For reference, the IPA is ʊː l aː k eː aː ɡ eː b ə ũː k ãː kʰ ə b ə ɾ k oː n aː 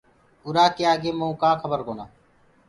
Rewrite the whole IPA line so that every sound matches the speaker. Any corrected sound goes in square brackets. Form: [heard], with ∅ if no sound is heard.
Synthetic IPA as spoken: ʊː [ɾ] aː k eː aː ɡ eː [m] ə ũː k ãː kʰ ə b ə ɾ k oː n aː